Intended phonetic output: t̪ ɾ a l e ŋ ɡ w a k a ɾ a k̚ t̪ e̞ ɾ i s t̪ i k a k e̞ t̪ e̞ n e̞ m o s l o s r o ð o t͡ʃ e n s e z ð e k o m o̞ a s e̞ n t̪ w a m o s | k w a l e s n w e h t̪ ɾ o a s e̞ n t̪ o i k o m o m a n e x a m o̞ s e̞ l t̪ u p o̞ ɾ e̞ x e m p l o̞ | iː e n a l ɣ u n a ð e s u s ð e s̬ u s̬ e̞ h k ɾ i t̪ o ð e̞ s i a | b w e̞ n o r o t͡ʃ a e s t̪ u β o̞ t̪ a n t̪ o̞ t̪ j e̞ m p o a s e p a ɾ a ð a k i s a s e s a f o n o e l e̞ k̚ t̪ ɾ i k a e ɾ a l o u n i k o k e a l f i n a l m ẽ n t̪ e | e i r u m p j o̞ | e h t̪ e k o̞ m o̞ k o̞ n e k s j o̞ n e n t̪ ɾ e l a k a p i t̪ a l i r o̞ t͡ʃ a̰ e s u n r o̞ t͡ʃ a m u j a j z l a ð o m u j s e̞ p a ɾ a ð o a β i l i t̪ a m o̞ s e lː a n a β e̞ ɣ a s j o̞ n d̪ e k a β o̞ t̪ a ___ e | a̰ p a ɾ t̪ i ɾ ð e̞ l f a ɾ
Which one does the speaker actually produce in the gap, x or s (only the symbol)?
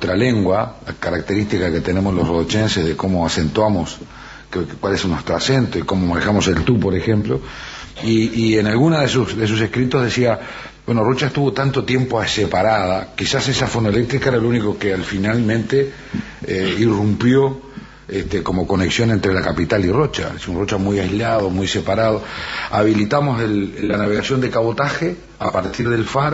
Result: x